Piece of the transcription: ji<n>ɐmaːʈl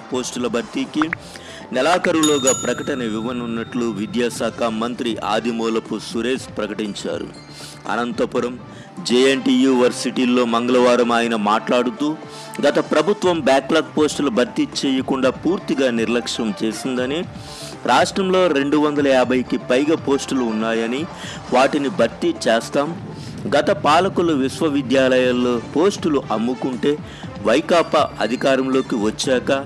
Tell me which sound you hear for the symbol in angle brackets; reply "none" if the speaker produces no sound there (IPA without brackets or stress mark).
n